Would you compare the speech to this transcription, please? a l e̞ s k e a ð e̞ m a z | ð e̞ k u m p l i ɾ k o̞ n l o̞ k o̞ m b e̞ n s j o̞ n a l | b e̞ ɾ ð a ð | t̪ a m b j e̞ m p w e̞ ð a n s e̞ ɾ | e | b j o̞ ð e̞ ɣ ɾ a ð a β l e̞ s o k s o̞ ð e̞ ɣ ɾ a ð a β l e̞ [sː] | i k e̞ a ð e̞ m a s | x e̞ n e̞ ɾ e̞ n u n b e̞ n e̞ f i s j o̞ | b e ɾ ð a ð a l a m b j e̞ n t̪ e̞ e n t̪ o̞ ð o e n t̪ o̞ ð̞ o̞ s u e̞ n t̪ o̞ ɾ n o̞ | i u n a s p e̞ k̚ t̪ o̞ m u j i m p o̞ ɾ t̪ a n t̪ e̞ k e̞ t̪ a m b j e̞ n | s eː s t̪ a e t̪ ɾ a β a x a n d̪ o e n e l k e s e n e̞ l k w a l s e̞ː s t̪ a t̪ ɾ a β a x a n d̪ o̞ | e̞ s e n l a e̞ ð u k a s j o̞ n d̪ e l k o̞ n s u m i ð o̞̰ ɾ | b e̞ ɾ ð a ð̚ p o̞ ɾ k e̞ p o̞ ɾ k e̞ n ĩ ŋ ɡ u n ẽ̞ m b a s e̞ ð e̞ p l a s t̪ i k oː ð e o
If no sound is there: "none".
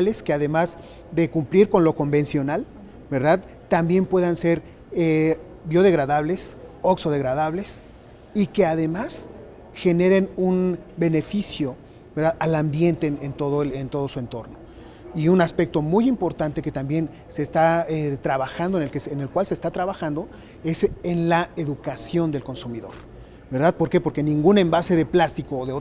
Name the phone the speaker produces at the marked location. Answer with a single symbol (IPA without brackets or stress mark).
s